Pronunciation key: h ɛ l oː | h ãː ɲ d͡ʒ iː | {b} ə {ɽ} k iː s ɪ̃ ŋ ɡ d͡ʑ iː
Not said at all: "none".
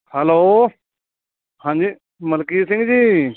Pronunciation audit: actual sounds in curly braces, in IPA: m, l

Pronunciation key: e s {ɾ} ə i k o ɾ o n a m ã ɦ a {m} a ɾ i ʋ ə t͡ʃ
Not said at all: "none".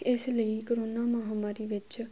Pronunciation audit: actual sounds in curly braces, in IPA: l, m

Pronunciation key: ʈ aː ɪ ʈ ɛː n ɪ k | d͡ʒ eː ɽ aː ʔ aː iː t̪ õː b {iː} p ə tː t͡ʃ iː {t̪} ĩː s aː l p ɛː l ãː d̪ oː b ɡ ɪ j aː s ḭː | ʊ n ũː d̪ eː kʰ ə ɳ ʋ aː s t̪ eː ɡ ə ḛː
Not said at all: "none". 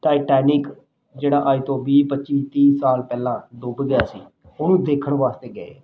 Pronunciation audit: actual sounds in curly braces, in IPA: iː, t̪

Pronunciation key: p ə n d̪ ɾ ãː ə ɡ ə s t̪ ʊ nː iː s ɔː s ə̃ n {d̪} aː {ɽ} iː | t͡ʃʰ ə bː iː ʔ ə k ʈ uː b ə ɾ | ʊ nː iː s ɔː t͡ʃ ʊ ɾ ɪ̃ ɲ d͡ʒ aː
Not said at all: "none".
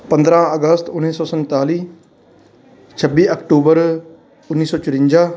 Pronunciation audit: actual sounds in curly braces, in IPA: t̪, l

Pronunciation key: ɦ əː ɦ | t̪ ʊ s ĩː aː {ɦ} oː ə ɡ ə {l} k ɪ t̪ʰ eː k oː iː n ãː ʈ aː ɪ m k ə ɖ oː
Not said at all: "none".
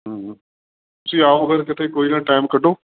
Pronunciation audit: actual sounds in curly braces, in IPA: none, ɾ

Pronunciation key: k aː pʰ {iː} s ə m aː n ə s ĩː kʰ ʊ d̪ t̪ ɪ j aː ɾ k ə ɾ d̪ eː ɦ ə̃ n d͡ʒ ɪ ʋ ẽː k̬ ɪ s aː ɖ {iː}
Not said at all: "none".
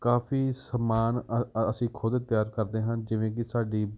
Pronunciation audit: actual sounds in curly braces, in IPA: iː, iː

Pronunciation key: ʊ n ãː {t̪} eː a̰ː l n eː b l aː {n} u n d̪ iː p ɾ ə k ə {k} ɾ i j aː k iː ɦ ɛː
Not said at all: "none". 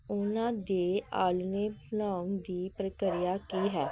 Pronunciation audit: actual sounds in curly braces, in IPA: d̪, none, none

